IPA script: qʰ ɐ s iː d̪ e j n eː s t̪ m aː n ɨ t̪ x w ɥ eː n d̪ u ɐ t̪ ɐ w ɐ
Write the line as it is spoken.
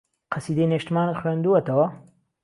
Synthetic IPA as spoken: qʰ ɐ s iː d̪ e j n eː ʃ t̪ m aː n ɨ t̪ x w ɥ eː n d̪ u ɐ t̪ ɐ w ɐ